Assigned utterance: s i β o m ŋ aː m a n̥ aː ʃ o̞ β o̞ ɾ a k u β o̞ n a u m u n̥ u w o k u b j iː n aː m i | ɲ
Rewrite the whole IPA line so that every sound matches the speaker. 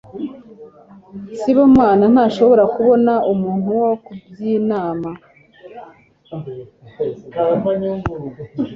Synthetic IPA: s i β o m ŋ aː n a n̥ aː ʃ o̞ β o̞ ɾ a k u β o̞ n a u m uː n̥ u w o k u b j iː n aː m a | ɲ